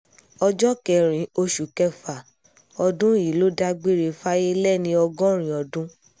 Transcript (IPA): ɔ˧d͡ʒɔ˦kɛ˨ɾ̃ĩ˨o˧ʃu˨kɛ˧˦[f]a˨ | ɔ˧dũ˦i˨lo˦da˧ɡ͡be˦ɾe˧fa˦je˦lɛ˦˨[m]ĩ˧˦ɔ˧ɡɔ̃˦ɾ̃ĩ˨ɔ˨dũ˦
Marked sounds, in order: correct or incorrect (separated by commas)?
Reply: correct, incorrect